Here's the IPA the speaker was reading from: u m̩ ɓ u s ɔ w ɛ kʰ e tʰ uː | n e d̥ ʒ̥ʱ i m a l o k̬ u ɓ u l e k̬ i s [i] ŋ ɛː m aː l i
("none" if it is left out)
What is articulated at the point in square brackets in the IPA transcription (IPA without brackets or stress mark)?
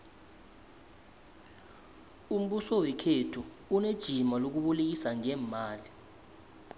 a